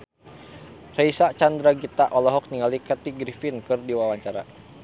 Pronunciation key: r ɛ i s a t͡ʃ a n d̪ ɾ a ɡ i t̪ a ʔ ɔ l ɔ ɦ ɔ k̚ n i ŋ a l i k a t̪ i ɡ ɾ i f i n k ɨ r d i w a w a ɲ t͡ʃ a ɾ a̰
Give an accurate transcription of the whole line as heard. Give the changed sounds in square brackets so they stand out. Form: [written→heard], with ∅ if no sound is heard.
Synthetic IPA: r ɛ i s a t͡ʃ a n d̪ ɾ a ɡ i t̪ a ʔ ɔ l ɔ ɦ ɔ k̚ n i ŋ a l i k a t̪ i ɡ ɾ i f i n k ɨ r d i w a w a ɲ t͡ʃ a ɾ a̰